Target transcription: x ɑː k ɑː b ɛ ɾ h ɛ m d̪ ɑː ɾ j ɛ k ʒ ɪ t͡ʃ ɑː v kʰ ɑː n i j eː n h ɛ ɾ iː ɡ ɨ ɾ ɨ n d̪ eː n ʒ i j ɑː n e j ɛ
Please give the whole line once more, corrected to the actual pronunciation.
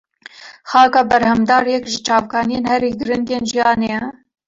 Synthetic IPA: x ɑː k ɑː b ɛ ɾ h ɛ m d̪ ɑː ɾ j ɛ k ʒ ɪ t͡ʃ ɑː v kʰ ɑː n i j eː n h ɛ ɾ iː ɡ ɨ ɾ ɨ n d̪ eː n ʒ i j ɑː n e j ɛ